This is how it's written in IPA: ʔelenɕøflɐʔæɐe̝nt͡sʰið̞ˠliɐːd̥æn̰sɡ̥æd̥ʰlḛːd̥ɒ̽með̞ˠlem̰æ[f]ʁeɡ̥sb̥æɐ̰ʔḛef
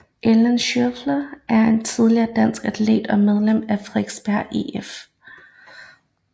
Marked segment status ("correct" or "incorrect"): correct